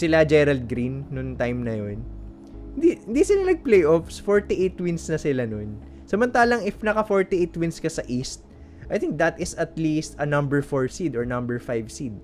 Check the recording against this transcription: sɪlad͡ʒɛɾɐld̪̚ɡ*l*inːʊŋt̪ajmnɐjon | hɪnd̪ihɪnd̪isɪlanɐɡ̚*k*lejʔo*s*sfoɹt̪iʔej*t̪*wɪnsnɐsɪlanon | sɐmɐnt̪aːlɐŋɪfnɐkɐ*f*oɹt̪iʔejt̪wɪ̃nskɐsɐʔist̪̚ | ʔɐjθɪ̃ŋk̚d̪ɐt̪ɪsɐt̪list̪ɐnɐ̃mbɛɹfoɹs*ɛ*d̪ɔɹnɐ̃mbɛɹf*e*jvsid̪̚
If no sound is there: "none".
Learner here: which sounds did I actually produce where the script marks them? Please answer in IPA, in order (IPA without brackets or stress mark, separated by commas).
ɾ, p, f, t̪, f, i, a